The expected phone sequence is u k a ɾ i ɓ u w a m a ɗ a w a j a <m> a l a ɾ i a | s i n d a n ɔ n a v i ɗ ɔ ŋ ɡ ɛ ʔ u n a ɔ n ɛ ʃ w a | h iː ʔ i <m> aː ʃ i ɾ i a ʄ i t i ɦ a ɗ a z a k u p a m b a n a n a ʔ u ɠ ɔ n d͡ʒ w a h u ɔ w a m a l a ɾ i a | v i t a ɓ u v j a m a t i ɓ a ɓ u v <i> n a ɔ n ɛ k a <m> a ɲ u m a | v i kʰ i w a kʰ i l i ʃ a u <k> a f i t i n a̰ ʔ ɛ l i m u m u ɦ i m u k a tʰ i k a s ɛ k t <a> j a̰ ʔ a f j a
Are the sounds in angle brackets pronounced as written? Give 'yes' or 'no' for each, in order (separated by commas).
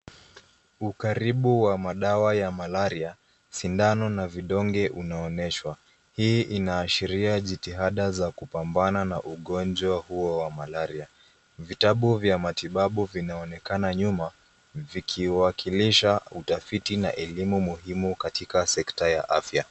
yes, no, yes, no, no, yes